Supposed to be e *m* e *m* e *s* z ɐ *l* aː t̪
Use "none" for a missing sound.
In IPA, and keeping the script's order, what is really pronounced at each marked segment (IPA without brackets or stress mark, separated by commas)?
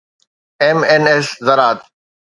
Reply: m, n, s, ɾ